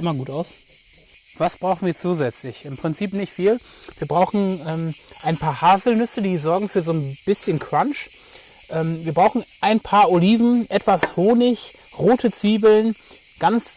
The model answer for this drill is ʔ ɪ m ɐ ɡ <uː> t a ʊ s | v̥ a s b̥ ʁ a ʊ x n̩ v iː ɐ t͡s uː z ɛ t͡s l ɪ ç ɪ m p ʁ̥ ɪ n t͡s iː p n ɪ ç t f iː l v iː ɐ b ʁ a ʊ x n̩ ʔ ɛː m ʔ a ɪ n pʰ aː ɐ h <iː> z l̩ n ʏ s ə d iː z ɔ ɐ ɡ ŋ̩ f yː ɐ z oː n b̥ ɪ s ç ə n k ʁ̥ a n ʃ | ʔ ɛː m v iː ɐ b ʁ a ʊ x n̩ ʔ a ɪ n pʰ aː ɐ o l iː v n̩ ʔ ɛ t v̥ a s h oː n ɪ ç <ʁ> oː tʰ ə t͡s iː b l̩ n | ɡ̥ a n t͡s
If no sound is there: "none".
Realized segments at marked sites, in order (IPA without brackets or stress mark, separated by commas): uː, aː, ʁ